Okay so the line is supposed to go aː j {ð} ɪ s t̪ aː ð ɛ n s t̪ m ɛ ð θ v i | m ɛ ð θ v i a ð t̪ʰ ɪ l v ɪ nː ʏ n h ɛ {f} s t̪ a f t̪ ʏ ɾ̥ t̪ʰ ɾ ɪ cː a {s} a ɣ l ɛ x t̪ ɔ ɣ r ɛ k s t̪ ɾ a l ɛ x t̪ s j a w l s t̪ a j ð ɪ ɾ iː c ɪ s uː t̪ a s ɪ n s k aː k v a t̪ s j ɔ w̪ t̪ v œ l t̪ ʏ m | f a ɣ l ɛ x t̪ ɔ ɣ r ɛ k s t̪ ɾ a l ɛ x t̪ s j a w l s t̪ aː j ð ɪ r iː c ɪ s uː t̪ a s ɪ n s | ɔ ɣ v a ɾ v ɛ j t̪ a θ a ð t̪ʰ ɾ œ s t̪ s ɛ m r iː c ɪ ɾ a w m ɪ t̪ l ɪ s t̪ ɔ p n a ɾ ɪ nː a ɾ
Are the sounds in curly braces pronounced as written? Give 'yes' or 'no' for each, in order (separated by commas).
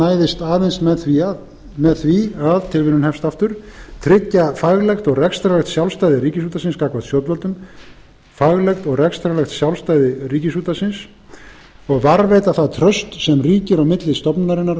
yes, yes, no